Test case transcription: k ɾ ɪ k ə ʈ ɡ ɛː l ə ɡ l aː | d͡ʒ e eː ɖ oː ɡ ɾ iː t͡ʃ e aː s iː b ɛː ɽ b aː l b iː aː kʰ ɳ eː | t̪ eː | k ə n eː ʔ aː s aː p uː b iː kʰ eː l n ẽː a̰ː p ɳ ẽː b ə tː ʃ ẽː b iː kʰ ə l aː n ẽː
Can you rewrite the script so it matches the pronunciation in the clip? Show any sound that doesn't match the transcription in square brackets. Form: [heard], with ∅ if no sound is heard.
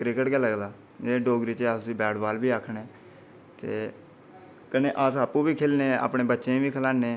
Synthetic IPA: k ɾ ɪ k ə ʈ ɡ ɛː l ə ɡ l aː | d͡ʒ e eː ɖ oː ɡ ɾ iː t͡ʃ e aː s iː b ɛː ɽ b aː l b iː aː kʰ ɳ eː | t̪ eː | k ə n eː ʔ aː s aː p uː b iː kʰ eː l n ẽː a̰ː p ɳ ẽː b ə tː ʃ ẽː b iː kʰ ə l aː n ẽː